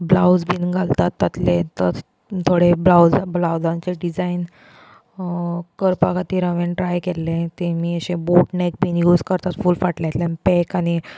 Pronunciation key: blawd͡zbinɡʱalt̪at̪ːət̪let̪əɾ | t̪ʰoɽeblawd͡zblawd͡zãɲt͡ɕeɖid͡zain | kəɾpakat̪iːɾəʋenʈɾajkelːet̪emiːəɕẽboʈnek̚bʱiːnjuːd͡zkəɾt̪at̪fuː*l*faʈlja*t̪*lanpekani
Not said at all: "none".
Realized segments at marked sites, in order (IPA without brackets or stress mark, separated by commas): l, t̪